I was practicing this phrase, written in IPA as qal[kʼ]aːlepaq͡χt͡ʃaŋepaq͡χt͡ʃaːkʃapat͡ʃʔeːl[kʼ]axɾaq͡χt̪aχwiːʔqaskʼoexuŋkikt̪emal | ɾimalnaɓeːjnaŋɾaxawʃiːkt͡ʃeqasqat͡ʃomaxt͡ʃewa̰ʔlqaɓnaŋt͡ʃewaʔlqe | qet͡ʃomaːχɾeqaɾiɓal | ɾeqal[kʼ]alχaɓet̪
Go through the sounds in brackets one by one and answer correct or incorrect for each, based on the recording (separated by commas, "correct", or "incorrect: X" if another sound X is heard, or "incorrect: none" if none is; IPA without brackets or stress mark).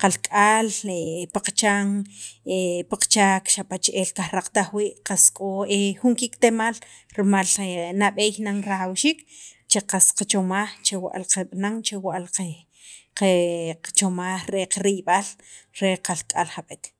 correct, incorrect: k, correct